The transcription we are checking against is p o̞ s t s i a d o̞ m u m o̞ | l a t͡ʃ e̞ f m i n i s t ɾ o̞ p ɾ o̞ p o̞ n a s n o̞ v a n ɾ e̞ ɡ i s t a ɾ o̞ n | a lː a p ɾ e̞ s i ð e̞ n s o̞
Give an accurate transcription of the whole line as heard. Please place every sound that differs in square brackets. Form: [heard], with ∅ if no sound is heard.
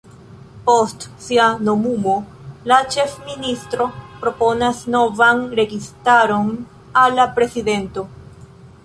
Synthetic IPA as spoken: p o̞ s t s i a [n] o̞ m u m o̞ | l a t͡ʃ e̞ f m i n i s t ɾ o̞ p ɾ o̞ p o̞ n a s n o̞ v a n ɾ e̞ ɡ i s t a ɾ o̞ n | a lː a p ɾ e̞ s i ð e̞ n [t] o̞